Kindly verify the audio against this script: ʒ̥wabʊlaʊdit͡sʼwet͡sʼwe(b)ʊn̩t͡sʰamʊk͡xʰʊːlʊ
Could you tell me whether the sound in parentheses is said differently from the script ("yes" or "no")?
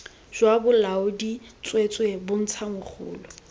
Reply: no